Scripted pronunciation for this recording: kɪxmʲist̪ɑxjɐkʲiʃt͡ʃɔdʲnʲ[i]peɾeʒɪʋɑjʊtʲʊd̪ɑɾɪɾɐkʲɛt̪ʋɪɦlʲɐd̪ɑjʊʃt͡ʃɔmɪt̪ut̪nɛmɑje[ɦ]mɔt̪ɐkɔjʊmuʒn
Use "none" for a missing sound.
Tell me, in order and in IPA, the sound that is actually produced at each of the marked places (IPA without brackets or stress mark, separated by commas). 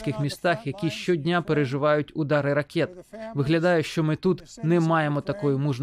a, none